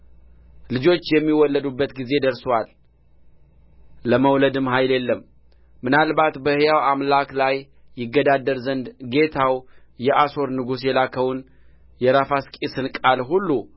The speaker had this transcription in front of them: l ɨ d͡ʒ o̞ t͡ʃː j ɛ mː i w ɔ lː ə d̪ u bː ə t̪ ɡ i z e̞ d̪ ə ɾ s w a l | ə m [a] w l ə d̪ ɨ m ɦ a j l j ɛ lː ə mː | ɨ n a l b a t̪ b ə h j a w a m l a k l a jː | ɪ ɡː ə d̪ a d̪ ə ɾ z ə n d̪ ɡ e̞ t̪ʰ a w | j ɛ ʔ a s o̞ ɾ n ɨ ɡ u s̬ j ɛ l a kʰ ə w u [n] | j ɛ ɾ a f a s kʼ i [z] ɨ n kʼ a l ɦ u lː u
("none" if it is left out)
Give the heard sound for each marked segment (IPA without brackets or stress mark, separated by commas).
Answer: ə, n, s